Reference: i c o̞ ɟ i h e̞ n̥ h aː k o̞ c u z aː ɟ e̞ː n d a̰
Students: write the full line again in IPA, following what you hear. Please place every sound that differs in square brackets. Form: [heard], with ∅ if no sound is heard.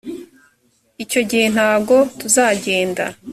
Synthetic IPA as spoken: i c o̞ ɟ i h e̞ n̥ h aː [ɡ] o̞ [t] u z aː ɟ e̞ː n d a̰